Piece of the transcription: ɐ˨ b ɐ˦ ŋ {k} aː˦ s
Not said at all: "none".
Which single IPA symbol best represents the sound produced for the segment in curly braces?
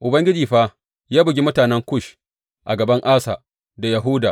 ʔ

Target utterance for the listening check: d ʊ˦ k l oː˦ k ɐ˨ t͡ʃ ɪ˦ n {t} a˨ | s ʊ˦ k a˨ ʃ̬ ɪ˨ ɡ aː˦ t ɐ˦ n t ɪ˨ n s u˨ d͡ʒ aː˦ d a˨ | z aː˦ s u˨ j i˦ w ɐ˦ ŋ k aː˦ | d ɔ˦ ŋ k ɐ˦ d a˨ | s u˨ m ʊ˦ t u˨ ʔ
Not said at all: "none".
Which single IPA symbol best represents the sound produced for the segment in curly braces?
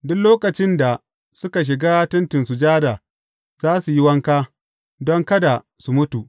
d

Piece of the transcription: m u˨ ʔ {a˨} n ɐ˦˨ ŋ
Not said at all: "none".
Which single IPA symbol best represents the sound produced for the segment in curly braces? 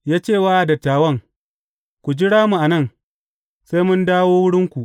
a˨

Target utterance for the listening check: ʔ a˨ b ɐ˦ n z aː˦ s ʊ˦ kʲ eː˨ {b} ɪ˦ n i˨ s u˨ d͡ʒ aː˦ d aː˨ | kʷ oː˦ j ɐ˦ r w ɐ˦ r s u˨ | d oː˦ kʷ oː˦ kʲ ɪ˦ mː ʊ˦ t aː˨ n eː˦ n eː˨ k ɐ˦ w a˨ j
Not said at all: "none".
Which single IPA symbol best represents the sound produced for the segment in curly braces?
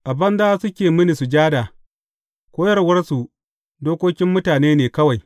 m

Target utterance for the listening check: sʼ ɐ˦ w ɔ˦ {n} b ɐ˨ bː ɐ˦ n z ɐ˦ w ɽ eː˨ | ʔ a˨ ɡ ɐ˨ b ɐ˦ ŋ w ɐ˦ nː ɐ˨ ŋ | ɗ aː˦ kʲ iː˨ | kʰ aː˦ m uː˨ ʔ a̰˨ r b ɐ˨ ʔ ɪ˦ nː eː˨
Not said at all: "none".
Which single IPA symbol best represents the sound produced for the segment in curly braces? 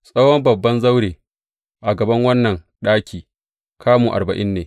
m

